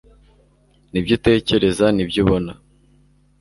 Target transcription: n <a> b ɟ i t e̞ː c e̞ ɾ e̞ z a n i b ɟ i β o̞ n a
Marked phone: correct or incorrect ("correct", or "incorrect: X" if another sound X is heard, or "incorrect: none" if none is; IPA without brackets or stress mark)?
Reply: incorrect: i